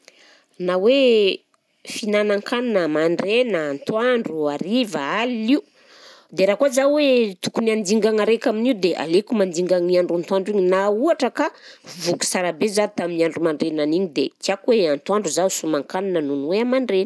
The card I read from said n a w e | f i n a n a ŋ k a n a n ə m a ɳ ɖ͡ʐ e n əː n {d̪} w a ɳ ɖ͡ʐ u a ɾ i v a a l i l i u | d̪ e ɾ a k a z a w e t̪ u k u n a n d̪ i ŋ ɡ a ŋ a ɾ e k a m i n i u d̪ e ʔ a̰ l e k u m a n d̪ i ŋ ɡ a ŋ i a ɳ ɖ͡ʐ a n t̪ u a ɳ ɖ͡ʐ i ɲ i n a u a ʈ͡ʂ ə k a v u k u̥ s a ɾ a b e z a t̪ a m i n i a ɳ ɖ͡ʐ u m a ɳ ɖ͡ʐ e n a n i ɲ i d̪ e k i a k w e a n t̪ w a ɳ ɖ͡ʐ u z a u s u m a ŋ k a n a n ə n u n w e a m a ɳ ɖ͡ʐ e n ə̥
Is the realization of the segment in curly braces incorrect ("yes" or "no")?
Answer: yes